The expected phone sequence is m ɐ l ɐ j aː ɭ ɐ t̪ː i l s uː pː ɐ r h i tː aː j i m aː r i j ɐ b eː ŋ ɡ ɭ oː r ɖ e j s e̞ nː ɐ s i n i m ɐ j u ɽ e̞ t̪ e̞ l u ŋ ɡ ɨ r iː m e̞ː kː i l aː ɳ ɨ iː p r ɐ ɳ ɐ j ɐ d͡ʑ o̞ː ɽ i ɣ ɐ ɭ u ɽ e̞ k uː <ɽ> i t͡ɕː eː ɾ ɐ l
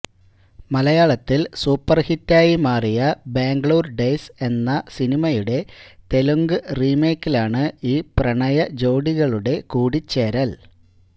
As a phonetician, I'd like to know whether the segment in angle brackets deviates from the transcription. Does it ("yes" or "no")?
no